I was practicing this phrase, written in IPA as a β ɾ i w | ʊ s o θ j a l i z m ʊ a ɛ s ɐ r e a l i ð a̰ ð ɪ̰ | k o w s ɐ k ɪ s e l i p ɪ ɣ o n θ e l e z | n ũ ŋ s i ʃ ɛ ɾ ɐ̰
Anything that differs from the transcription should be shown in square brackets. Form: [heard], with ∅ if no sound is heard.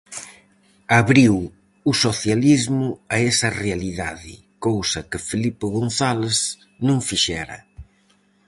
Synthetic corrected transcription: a β ɾ i w | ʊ s o θ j a l i z m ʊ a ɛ s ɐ r e a l i ð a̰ ð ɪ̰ | k o w s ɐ k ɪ [f] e l i p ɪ ɣ o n θ [a] l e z | n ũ ŋ [f] i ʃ ɛ ɾ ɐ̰